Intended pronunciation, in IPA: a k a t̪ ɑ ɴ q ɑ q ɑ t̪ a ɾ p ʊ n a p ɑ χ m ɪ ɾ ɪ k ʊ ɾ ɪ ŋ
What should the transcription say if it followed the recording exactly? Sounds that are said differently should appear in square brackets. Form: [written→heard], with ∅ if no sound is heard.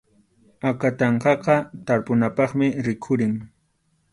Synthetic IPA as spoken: a k a t̪ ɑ ɴ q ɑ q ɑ t̪ a ɾ p ʊ n a p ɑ χ m ɪ ɾ ɪ [k→kʰ] ʊ ɾ ɪ ŋ